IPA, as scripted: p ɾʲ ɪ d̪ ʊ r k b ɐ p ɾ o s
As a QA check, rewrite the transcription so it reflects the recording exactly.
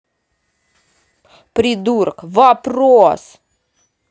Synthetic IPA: p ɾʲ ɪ d̪ u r k v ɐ p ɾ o s